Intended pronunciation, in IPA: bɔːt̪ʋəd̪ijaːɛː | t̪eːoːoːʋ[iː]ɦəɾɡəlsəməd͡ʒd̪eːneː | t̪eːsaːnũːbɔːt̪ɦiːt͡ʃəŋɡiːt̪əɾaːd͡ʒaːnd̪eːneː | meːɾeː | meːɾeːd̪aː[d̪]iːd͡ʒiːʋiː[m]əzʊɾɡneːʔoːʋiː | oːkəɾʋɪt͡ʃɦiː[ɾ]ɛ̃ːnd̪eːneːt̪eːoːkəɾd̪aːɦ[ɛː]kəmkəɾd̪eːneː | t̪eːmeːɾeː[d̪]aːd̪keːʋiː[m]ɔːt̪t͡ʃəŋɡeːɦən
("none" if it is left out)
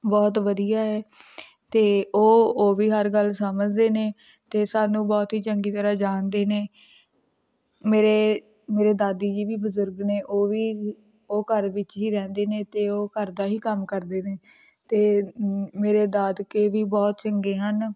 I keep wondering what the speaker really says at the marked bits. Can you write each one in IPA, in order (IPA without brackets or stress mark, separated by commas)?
iː, d̪, b, ɾ, iː, d̪, b